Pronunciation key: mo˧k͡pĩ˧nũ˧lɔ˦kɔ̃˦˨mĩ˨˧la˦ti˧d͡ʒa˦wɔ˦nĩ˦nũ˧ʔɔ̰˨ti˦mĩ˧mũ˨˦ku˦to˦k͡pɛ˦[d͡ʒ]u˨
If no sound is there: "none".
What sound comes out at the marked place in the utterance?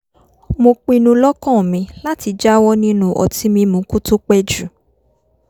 d͡ʒ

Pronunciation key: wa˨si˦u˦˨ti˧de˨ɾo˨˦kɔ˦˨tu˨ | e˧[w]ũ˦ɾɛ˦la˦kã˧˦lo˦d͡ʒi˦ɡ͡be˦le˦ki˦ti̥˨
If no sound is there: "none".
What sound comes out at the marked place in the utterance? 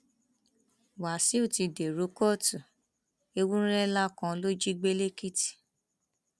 w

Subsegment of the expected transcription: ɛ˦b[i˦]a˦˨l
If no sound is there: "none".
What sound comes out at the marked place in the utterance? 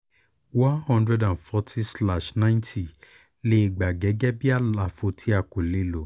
i˦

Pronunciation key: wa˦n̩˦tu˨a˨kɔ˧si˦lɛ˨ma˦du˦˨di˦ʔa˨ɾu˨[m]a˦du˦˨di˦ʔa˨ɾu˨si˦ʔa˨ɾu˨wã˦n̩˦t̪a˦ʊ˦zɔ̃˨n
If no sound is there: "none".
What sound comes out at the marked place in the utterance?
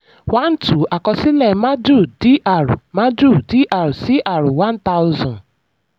m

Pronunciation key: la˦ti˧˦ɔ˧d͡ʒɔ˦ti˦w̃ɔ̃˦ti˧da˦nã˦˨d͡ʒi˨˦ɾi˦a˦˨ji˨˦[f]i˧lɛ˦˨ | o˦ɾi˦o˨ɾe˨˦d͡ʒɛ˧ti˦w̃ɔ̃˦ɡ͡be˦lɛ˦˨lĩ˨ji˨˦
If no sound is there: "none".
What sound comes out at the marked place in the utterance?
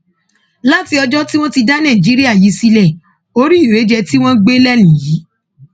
s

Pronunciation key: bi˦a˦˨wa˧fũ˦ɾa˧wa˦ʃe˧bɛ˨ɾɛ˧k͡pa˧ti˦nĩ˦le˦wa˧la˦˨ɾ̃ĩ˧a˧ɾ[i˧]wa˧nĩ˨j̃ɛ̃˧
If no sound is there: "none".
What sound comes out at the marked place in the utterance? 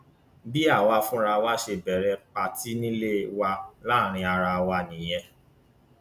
a˧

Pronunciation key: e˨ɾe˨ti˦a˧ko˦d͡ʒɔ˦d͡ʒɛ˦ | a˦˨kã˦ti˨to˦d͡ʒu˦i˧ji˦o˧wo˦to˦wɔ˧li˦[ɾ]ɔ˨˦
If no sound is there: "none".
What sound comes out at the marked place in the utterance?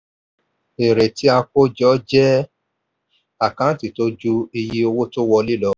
l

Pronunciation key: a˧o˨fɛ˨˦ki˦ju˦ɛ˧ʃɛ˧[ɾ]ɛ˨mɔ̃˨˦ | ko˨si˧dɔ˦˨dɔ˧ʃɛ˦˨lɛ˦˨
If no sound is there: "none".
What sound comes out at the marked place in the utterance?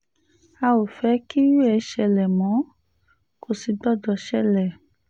l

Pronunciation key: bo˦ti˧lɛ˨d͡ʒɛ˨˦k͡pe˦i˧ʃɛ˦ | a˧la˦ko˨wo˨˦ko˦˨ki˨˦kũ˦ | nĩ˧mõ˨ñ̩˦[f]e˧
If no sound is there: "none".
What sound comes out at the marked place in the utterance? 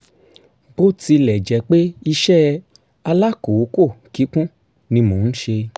ʃ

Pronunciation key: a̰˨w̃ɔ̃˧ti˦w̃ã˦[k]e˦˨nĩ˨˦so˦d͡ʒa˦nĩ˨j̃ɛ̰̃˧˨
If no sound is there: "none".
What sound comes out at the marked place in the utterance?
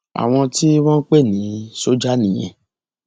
k͡p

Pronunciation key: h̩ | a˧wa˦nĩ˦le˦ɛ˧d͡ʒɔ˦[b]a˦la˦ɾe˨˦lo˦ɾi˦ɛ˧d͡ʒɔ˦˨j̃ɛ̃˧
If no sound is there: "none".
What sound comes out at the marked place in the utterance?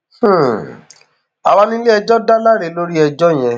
d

